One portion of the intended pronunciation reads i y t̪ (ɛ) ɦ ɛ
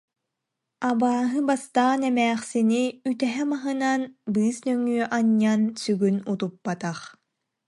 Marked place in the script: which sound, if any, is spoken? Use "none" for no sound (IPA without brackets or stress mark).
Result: ɛ